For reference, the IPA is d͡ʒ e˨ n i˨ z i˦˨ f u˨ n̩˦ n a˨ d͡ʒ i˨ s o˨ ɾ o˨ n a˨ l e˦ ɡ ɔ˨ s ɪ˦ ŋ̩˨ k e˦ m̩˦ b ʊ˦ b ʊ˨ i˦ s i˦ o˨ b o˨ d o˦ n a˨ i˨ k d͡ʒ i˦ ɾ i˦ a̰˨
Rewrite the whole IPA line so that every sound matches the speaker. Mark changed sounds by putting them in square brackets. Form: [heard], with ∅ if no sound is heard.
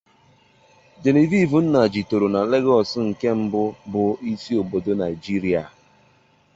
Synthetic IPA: d͡ʒ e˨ n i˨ [v] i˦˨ [v] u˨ n̩˦ n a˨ d͡ʒ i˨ [t] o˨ ɾ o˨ n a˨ l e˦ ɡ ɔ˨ s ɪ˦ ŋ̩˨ k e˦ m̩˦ b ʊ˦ b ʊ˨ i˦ s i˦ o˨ b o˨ d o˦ n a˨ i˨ [∅] d͡ʒ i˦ ɾ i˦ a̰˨